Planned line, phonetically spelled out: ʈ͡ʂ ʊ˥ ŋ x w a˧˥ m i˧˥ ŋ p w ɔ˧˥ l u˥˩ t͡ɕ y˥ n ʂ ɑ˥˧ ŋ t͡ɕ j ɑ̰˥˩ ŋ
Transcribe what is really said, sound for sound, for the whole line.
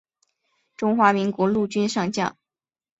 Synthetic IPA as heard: ʈ͡ʂ ʊ˥ ŋ x w a˧˥ m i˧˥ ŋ k w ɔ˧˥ l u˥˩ t͡ɕ y˥ n ʂ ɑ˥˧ ŋ t͡ɕ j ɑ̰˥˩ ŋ